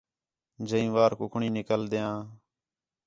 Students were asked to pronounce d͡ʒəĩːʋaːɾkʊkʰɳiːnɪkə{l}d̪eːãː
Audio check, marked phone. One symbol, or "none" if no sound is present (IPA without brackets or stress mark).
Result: l